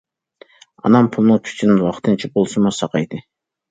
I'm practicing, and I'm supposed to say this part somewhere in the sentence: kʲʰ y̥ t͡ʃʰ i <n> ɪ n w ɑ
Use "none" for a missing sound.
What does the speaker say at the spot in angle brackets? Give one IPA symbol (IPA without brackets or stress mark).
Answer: n